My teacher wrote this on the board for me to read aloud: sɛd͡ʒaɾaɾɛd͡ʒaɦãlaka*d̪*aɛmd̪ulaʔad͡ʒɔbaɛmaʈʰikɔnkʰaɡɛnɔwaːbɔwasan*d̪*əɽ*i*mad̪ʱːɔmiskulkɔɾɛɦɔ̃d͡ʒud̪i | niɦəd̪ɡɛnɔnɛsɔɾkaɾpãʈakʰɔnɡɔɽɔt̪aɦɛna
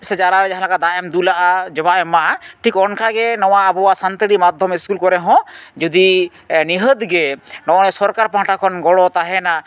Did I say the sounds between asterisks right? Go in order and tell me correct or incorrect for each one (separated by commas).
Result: correct, incorrect, correct